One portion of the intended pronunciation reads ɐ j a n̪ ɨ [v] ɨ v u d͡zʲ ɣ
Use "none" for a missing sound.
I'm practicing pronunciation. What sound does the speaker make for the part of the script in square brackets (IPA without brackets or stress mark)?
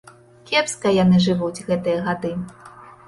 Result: ʐ